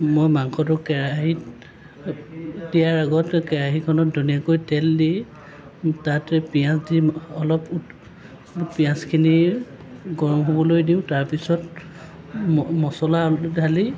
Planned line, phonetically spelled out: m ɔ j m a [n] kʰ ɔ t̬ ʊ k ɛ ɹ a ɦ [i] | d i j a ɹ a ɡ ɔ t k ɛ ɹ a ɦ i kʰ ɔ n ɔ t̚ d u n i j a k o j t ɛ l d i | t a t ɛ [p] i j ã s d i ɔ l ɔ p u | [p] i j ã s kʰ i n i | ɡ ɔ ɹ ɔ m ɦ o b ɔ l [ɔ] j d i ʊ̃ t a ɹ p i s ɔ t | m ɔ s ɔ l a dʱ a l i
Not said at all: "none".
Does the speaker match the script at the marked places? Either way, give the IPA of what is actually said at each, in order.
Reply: ŋ, i, p, p, o

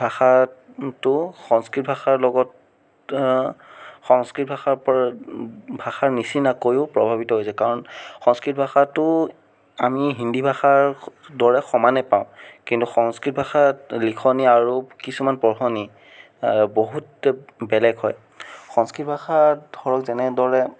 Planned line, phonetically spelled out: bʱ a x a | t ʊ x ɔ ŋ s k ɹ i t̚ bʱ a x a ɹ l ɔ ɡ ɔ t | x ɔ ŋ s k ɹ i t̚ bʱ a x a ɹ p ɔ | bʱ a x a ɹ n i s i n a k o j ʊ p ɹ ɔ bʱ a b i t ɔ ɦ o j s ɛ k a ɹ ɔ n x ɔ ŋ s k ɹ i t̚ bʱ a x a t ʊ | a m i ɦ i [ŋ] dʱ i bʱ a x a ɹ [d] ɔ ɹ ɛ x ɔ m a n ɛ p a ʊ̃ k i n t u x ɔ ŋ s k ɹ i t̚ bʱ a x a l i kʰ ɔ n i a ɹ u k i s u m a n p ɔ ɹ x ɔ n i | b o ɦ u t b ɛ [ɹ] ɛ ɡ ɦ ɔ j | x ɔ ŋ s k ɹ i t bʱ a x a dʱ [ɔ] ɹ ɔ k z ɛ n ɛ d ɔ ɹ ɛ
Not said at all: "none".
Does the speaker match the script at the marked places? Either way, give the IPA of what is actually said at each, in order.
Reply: n, d, l, ɔ

